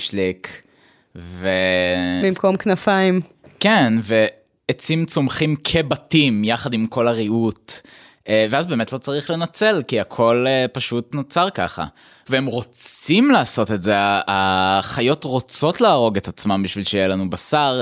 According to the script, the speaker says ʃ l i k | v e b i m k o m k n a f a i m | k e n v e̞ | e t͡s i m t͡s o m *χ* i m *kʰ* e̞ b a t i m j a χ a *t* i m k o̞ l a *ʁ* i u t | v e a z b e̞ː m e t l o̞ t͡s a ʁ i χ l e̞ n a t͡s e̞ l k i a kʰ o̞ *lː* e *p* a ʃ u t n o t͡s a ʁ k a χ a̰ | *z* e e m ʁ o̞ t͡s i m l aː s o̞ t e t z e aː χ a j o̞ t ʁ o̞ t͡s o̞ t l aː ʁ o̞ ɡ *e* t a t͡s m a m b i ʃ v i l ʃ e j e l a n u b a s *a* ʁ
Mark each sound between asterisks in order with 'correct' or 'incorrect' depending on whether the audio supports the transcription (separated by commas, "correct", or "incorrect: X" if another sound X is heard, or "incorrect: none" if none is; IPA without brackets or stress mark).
correct, correct, incorrect: d, correct, incorrect: l, correct, incorrect: v, correct, correct